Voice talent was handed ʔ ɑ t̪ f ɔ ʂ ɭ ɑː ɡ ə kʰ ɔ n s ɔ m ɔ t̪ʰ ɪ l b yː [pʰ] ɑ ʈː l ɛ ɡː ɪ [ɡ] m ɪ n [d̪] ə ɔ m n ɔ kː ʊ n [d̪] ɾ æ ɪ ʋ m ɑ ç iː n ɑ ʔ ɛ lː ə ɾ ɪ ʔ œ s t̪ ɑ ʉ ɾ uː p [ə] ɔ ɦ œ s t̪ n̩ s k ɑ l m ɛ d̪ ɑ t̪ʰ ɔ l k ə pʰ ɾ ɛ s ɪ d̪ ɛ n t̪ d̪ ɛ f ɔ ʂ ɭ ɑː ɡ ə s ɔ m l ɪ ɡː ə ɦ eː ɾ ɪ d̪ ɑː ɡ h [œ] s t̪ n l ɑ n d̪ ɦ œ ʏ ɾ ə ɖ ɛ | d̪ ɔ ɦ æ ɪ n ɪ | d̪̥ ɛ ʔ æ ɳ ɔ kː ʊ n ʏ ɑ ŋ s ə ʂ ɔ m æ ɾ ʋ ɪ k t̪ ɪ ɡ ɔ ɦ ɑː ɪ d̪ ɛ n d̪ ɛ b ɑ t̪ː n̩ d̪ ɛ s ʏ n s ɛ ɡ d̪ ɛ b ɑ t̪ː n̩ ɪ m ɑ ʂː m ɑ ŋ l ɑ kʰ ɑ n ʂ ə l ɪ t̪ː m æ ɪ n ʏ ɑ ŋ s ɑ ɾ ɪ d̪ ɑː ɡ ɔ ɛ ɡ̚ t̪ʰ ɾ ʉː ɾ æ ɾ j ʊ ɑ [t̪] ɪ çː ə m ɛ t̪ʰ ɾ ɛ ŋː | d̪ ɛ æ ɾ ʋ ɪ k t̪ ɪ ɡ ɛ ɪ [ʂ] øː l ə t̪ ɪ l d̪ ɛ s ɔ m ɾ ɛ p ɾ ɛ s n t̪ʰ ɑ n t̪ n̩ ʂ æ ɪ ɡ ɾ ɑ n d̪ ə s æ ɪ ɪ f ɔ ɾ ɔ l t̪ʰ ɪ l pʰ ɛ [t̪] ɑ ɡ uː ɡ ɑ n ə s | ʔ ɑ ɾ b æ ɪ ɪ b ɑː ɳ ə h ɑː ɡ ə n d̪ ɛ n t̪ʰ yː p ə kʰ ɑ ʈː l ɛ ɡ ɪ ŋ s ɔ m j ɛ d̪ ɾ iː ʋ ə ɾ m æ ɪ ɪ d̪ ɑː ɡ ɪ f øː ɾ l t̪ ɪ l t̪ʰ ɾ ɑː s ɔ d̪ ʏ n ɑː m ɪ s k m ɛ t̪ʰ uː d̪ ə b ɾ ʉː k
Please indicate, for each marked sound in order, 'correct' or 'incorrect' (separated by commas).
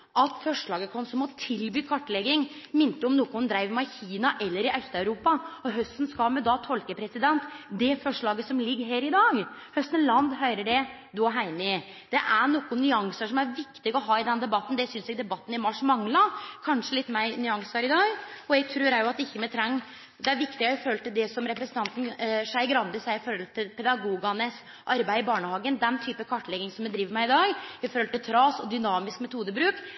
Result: incorrect, incorrect, incorrect, correct, incorrect, correct, correct, incorrect, incorrect